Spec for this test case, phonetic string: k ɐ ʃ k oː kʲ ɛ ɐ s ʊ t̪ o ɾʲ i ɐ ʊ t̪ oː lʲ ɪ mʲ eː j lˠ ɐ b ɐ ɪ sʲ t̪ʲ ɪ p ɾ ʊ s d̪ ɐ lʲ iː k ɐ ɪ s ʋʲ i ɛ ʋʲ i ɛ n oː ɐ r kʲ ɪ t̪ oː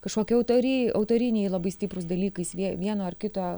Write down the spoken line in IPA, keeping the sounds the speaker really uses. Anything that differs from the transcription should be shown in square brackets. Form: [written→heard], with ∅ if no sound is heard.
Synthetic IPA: k ɐ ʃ k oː kʲ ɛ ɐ [s→∅] ʊ t̪ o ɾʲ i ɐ ʊ t̪ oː [lʲ→ɾʲ] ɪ [mʲ→nʲ] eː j lˠ ɐ b ɐ ɪ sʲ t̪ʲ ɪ p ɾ ʊ s d̪ ɐ lʲ iː k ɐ ɪ s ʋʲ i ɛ ʋʲ i ɛ n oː ɐ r kʲ ɪ t̪ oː